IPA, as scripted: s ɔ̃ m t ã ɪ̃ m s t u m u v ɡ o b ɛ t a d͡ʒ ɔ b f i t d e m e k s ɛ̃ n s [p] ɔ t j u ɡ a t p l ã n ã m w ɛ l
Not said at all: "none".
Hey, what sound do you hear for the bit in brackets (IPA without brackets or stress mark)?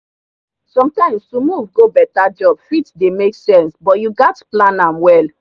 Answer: b